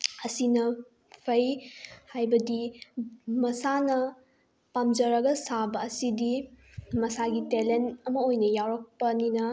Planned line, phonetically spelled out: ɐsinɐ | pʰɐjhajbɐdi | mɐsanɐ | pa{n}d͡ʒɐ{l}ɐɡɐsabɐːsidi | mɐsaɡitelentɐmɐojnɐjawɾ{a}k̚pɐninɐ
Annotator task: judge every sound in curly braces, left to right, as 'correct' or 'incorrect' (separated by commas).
incorrect, incorrect, incorrect